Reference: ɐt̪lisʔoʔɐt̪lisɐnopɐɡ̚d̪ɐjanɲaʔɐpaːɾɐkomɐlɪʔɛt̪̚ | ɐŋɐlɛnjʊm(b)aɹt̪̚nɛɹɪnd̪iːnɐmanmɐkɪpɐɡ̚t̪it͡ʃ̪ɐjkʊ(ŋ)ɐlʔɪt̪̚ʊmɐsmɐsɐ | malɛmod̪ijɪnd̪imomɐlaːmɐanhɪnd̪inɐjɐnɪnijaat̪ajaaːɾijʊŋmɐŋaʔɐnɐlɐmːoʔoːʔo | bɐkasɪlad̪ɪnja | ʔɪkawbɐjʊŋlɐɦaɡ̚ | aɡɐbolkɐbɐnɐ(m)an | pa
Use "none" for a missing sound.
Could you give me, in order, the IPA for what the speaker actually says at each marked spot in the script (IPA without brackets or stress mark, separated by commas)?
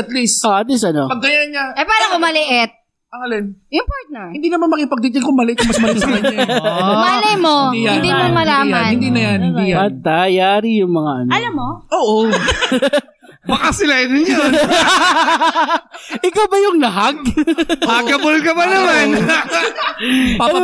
p, m, m